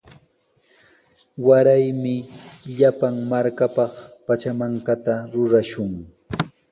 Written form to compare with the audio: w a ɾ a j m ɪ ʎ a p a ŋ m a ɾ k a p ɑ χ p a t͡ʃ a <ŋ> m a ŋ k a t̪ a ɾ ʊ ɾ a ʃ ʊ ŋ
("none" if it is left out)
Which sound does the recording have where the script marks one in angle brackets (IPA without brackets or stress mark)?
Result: none